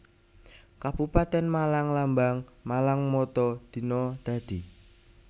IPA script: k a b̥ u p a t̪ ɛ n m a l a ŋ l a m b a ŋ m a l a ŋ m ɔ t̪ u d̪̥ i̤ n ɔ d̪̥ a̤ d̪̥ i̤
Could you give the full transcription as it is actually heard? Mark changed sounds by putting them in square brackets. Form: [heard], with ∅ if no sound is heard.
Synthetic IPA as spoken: k a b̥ u p a t̪ ɛ n m a l a ŋ l a m b a ŋ m a l a ŋ m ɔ t̪ [ɔ] d̪̥ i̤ n ɔ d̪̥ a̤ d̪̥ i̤